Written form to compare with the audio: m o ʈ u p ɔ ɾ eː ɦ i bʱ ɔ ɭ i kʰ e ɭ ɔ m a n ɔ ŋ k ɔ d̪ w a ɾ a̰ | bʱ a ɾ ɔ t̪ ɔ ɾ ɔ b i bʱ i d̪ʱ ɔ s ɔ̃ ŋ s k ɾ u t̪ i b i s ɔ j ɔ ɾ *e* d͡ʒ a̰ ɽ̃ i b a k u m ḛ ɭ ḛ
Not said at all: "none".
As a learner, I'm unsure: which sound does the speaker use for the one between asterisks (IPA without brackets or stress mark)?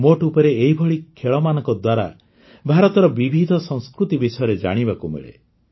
e